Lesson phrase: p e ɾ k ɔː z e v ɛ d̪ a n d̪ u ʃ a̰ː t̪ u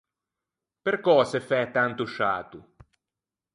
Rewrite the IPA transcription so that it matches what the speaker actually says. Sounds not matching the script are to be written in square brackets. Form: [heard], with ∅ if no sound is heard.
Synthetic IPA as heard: p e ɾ k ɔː [s] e [f] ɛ [t̪] a n [t̪] u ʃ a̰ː t̪ u